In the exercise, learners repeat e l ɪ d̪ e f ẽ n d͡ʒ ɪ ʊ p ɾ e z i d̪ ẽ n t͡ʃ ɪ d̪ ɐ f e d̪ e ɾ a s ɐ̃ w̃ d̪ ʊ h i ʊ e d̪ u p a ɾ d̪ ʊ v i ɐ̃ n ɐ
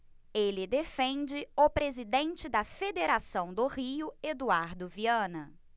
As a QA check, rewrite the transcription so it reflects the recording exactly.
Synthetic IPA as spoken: e l ɪ d̪ e f ẽ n d͡ʒ ɪ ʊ p ɾ e z i d̪ ẽ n t͡ʃ ɪ d̪ ɐ f e d̪ e ɾ a s ɐ̃ w̃ d̪ ʊ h i ʊ e d̪ u a ɾ d̪ ʊ v i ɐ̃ n ɐ